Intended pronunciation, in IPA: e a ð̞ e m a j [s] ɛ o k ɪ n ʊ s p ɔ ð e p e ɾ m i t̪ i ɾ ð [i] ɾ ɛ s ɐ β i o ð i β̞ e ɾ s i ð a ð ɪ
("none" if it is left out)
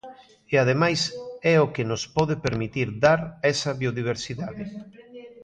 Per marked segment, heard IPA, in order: s, a

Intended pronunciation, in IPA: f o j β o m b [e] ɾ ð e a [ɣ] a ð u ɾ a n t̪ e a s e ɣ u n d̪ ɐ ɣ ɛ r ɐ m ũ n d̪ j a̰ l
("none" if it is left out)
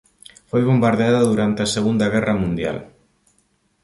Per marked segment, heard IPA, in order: a, ð

